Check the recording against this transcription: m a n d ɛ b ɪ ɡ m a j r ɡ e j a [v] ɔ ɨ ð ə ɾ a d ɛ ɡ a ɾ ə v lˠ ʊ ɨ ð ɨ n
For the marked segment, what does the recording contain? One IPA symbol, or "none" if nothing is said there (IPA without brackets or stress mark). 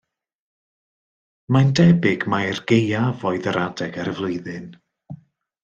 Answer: v